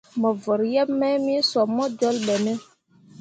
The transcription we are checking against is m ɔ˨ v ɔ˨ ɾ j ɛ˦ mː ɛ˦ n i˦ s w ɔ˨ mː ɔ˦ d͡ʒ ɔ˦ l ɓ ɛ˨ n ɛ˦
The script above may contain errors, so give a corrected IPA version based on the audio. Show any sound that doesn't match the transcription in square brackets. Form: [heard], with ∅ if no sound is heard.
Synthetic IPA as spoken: m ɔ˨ v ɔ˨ ɾ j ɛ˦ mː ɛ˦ [m] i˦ s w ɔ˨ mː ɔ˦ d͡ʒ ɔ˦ l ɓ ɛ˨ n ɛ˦